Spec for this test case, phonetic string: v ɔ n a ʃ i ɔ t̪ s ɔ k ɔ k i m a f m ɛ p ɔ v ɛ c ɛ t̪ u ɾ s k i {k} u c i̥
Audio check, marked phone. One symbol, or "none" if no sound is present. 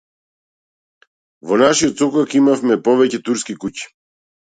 k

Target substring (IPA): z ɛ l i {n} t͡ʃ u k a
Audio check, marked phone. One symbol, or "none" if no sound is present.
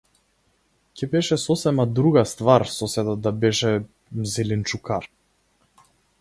n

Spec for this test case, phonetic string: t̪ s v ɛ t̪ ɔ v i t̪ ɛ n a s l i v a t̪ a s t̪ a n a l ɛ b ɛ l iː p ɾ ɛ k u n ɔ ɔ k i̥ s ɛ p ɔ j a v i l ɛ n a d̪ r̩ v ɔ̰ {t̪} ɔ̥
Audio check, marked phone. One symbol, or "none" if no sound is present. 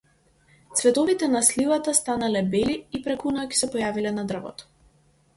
t̪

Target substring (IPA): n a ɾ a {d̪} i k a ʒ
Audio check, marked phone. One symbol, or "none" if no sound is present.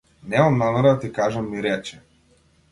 t̪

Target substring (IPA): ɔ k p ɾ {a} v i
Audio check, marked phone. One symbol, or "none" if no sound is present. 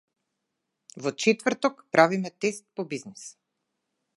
a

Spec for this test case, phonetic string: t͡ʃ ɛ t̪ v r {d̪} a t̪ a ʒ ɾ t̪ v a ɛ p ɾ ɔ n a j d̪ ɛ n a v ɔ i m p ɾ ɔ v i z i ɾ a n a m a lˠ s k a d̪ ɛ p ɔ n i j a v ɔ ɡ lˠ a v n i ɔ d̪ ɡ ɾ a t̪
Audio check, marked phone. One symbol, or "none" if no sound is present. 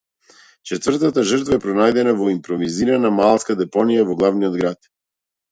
t̪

